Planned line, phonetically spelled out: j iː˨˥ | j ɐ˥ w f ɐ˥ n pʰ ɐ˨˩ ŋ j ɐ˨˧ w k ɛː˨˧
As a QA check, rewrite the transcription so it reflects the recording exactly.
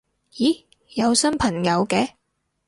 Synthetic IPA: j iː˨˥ | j ɐ˨˧ w s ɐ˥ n pʰ ɐ˨˩ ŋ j ɐ˨˧ w k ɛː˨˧

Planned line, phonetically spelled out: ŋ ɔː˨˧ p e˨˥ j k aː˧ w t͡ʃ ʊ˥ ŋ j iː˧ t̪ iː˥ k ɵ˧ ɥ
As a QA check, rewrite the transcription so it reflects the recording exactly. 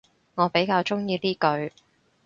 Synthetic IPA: ŋ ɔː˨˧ p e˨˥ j k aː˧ w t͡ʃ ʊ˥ ŋ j iː˧ t̪ iː˥ k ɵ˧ ɥ

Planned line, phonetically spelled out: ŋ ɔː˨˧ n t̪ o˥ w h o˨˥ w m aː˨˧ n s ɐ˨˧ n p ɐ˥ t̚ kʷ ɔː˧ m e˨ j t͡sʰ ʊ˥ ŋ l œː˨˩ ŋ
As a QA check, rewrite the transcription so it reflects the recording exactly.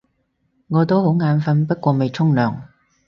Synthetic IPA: ŋ ɔː˨˧ t̪ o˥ w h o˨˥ w ŋ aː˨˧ n f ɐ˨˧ n p ɐ˥ t̚ kʷ ɔː˧ m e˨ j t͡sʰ ʊ˥ ŋ l œː˨˩ ŋ

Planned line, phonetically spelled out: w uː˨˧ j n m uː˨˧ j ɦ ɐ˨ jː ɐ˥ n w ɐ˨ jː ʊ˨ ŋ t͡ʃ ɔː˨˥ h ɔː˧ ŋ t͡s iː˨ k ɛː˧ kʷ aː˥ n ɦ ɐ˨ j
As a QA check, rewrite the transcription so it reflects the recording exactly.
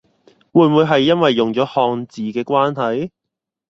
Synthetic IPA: w uː˨˧ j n m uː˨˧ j ɦ ɐ˨ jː ɐ˥ n w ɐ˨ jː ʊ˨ ŋ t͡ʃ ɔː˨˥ h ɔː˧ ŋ t͡s iː˨ k ɛː˧ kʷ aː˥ n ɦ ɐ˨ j

